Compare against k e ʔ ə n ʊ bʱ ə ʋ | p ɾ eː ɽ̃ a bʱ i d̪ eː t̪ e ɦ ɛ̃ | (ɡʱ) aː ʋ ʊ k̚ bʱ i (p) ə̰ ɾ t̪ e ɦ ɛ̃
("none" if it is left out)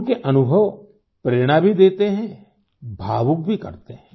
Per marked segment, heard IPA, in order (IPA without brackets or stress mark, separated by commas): bʱ, k